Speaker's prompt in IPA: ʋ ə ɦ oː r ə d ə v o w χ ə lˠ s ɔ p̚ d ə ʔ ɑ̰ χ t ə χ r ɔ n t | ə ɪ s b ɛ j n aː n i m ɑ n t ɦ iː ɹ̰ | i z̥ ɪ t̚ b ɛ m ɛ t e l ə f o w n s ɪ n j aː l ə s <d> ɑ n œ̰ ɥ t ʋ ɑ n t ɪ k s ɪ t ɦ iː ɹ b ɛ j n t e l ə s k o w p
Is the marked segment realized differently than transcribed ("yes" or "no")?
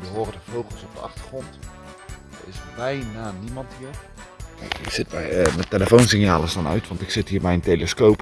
no